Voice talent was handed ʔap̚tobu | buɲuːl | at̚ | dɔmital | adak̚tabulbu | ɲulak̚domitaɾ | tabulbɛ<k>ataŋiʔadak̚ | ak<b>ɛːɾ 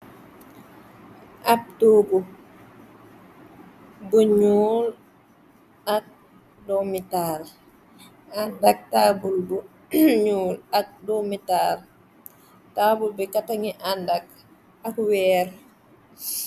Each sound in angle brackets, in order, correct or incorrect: correct, incorrect: w

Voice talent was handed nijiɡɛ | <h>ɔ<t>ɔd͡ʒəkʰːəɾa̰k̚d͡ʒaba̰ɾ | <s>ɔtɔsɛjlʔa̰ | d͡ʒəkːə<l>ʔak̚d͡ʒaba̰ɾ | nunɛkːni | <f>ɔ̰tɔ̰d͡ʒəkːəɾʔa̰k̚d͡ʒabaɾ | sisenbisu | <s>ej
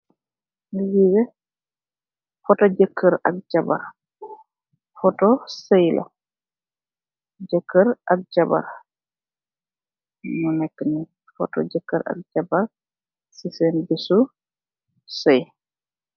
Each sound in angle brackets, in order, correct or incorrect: incorrect: f, correct, incorrect: f, incorrect: ɾ, correct, correct

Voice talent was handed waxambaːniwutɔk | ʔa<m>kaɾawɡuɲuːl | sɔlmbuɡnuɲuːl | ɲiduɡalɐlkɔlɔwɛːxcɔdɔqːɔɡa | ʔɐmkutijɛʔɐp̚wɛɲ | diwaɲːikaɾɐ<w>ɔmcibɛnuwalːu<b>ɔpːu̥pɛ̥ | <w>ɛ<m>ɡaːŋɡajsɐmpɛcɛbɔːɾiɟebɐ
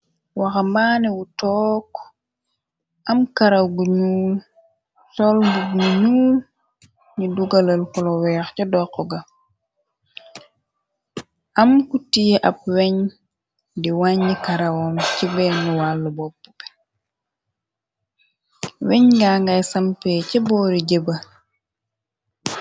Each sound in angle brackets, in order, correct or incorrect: correct, correct, correct, correct, incorrect: ɲ

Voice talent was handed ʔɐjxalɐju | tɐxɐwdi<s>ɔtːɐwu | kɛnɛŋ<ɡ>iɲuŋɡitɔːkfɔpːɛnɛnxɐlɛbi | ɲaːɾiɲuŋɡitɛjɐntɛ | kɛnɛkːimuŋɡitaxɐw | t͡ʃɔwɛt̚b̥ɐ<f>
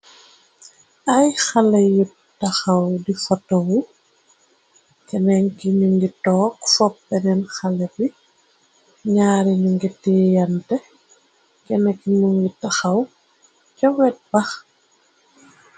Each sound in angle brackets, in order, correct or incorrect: incorrect: f, incorrect: k, incorrect: x

